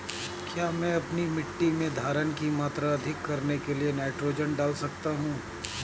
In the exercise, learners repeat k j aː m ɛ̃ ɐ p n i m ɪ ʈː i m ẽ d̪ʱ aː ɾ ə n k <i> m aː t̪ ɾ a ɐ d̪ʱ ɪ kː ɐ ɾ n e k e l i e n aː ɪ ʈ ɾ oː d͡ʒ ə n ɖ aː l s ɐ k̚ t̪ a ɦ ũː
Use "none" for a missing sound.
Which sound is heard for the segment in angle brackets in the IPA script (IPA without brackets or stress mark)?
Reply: i